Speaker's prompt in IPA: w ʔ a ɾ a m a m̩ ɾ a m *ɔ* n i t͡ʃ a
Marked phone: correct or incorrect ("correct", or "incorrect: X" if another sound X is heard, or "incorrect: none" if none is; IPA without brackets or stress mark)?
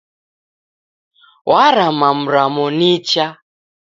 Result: correct